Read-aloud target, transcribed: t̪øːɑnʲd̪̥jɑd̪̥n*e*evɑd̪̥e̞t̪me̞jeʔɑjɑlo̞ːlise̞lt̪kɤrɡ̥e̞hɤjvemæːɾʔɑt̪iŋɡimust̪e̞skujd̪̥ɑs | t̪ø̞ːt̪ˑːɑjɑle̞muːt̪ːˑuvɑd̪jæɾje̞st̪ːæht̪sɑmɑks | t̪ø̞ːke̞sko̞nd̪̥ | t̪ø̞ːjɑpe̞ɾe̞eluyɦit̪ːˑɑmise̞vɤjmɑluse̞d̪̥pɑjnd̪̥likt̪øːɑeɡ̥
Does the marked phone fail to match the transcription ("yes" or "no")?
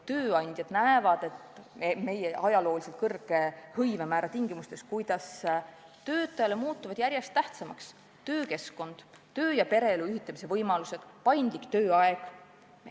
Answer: yes